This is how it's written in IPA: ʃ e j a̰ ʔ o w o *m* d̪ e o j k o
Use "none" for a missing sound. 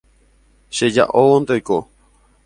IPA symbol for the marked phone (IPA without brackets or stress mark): n